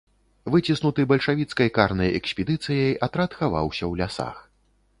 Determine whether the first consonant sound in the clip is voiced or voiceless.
voiced